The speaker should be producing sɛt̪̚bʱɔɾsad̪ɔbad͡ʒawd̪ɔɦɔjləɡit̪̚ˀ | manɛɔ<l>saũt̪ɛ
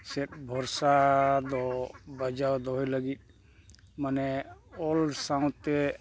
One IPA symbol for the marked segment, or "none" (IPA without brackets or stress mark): l